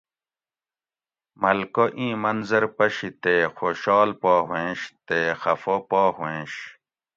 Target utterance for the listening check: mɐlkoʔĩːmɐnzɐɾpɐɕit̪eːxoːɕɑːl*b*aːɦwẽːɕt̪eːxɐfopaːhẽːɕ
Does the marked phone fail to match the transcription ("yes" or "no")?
yes